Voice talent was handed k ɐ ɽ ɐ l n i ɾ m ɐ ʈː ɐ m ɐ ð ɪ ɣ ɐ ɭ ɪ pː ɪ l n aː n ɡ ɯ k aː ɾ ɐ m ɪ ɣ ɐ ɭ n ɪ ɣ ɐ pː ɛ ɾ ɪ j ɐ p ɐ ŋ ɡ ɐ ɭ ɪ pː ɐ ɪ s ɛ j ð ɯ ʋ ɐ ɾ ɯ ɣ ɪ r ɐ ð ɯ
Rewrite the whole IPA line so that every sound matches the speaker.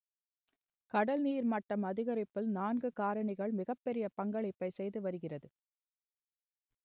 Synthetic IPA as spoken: k ɐ ɽ ɐ l n iː ɾ m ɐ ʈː ɐ m ɐ ð ɪ ɣ ɐ ɾ ɪ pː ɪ l n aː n ɡ ɯ k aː ɾ ɐ ɳ ɪ ɣ ɐ ɭ m ɪ ɣ ɐ pː ɛ ɾ ɪ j ɐ p ɐ ŋ ɡ ɐ ɭ ɪ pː ɐ ɪ s ɛ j ð ɯ ʋ ɐ ɾ ɯ ɣ ɪ r ɐ ð ɯ